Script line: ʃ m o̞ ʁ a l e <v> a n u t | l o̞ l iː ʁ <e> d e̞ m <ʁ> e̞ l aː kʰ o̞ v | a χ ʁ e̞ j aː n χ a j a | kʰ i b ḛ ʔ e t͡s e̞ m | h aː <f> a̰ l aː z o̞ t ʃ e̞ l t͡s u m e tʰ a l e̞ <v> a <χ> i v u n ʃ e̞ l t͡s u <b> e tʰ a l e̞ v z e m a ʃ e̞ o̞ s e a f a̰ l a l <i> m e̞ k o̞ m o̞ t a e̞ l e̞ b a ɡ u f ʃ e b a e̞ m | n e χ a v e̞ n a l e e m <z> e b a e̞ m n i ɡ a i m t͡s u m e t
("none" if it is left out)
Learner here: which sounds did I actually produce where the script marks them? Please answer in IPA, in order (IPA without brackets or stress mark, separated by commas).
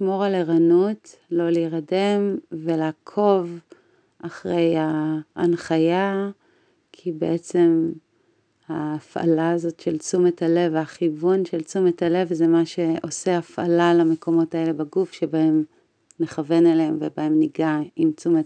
ʁ, a, v, f, v, χ, m, a, v